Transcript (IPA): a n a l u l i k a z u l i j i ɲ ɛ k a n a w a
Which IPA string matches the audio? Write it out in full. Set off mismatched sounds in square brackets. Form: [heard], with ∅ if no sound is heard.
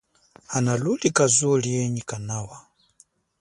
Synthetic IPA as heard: a n a l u l i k a z u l i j [ɛ] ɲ [i] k a n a w a